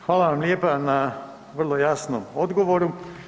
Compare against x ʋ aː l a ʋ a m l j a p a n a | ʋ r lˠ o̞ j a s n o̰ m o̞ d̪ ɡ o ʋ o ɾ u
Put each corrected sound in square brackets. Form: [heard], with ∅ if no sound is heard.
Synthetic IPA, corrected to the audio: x ʋ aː l a ʋ a m l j [e] p a n a | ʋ r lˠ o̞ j a s n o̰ m o̞ d̪ ɡ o ʋ o ɾ u

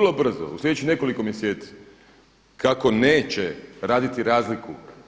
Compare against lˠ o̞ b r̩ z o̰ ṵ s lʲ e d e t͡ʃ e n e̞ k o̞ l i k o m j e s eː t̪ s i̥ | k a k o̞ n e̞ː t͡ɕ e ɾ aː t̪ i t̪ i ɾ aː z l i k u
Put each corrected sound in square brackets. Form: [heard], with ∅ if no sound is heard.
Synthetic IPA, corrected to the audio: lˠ o̞ b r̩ z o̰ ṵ s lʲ e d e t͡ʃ [i] n e̞ k o̞ l i k o m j e s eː t̪ s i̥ | k a k o̞ n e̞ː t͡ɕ e ɾ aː [d̪] i t̪ i ɾ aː z l i k u

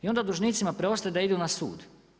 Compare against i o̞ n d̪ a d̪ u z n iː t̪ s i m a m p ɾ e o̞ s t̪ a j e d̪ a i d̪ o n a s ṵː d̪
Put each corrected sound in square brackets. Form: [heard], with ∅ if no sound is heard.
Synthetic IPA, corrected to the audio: i o̞ n d̪ a d̪ u [ʒ] n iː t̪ s i m a [∅] p ɾ e o̞ s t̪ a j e d̪ a i d̪ [u] n a s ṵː d̪

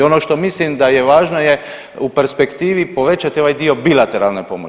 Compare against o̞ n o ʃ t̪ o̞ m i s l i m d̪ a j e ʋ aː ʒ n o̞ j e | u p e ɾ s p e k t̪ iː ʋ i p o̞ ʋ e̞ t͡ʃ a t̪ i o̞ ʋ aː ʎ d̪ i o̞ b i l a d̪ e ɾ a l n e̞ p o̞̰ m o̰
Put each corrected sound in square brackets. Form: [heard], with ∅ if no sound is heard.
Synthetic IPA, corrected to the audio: o̞ n o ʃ t̪ o̞ m i s l i m d̪ a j e ʋ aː ʒ n o̞ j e | u p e ɾ s p e k t̪ iː ʋ i p o̞ ʋ e̞ t͡ʃ a t̪ i o̞ ʋ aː [j] d̪ i o̞ b i l a [t̪] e ɾ a l n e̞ p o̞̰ m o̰

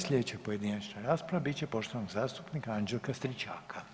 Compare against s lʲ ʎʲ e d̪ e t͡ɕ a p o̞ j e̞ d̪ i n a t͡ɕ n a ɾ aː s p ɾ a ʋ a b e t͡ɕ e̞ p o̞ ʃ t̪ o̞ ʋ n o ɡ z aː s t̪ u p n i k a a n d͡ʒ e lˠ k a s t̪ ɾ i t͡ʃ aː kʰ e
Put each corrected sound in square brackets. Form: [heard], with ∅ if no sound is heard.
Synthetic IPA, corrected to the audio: s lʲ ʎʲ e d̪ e t͡ɕ a p o̞ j e̞ d̪ i n a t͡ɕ n a ɾ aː s p ɾ a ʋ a b [i] t͡ɕ e̞ p o̞ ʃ t̪ o̞ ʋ n o ɡ z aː s t̪ u p n i k a a n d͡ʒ e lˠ k a s t̪ ɾ i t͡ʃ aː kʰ [a]

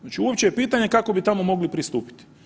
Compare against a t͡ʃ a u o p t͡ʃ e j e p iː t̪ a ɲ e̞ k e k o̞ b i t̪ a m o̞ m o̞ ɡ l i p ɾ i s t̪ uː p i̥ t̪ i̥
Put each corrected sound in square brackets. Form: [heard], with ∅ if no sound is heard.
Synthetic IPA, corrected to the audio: a t͡ʃ [i] u o p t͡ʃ e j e p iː t̪ a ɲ e̞ k [a] k o̞ b i t̪ a m o̞ m o̞ ɡ l i p ɾ i s t̪ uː p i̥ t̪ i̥

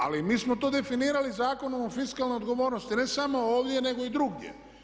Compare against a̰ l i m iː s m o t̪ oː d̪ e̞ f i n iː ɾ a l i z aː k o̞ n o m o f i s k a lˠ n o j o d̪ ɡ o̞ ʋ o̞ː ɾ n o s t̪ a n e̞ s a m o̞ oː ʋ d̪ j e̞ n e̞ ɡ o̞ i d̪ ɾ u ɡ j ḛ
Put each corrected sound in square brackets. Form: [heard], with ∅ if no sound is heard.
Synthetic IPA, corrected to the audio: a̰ l i m iː s m o t̪ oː d̪ e̞ f i n iː ɾ a l i z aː k o̞ n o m o f i s k a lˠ n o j o d̪ ɡ o̞ ʋ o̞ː ɾ n o s t̪ [i] n e̞ s a m o̞ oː ʋ d̪ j e̞ n e̞ ɡ o̞ i d̪ ɾ u ɡ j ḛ

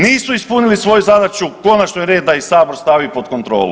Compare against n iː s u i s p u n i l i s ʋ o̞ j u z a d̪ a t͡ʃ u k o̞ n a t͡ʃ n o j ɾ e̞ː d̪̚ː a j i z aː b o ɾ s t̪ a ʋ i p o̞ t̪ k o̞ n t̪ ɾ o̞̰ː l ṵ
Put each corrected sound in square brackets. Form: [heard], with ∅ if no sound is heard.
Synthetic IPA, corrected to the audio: n iː s u i s p u n i l i s ʋ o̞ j u z a d̪ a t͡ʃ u k o̞ n a t͡ʃ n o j ɾ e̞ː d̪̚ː a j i [s] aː b o ɾ s t̪ a ʋ i p o̞ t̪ k o̞ n t̪ ɾ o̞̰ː l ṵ

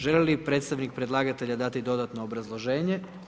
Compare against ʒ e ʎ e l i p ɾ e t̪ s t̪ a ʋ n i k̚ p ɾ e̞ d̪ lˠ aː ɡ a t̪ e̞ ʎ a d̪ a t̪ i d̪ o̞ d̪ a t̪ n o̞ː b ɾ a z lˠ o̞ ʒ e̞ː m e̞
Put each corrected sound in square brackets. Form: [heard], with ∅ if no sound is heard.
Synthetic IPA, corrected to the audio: ʒ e [l] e l i p ɾ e t̪ s t̪ a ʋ n i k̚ p ɾ e̞ d̪ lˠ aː ɡ a t̪ e̞ ʎ a d̪ a t̪ i d̪ o̞ d̪ a t̪ n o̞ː b ɾ a z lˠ o̞ ʒ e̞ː [ɲ] e̞

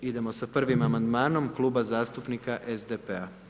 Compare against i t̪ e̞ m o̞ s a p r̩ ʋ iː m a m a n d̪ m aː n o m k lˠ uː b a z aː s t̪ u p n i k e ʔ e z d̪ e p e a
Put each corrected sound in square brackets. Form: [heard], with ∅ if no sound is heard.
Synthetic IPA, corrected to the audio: i [d̪] e̞ m o̞ s a p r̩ ʋ [i] m a m a n d̪ m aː n o m k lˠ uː b a z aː s t̪ u p n i k [a] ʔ e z d̪ e p e a

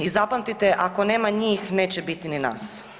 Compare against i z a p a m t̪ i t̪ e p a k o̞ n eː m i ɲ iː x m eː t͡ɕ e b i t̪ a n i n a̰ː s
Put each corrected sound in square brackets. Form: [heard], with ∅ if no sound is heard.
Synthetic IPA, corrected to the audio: i z a p a m t̪ i t̪ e [ʔ] a k o̞ n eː m [a] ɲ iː x [n] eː t͡ɕ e b i t̪ [i] n i n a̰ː s

